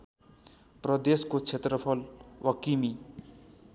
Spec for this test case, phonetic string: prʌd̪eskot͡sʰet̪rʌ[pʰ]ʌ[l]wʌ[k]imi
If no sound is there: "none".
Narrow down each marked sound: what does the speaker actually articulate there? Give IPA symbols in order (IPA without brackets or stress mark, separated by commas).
pʰ, l, k